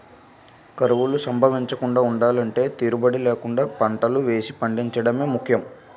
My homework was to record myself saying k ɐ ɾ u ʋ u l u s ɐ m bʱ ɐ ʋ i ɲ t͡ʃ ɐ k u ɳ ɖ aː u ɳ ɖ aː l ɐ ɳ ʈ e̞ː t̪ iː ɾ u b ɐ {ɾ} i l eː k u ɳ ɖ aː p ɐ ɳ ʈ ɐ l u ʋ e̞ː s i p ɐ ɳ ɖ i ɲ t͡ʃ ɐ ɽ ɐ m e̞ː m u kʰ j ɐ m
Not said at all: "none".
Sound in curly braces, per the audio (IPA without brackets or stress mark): ɽ